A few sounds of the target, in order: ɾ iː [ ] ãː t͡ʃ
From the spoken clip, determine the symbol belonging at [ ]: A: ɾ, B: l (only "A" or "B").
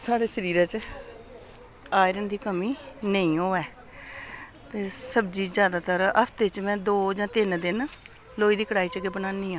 A